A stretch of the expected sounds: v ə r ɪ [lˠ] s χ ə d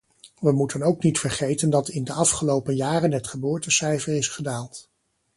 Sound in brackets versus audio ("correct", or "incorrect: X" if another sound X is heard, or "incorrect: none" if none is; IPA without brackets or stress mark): incorrect: none